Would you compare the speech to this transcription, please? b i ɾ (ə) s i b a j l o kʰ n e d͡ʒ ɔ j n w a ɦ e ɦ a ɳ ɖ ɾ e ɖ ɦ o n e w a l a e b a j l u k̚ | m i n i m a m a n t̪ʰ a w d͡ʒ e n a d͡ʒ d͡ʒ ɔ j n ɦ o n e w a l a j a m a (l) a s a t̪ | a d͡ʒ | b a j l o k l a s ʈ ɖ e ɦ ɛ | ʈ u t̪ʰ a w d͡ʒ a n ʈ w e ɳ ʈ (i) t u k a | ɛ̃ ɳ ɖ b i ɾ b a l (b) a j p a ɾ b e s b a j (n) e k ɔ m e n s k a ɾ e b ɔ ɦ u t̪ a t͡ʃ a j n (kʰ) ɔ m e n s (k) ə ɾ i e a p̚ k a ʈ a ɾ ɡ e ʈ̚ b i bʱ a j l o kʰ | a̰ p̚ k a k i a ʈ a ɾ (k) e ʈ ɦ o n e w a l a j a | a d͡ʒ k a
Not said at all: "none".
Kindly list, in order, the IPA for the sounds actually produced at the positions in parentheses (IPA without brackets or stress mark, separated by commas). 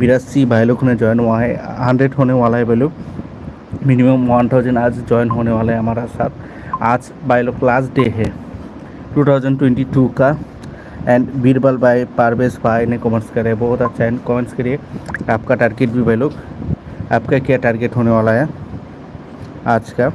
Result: a, ɾ, i, b, n, k, k, ɡ